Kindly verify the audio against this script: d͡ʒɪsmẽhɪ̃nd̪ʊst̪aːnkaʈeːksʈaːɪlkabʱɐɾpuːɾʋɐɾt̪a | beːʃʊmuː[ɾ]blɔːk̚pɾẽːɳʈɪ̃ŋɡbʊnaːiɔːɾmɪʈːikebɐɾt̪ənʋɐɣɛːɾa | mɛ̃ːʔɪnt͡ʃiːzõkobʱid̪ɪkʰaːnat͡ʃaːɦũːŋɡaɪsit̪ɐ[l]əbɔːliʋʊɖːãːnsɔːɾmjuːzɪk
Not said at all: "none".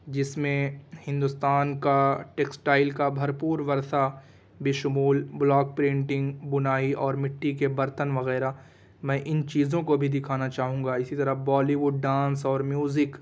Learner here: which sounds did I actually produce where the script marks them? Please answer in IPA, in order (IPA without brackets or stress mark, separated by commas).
l, ɾ